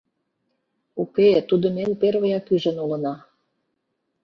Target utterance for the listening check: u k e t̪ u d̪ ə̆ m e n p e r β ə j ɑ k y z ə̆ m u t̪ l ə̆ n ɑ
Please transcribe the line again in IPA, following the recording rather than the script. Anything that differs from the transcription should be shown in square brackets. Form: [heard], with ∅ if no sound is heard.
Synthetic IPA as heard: u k e t̪ u d̪ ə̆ m e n p e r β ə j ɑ k y [ʒ] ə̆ [n] u [∅] l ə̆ n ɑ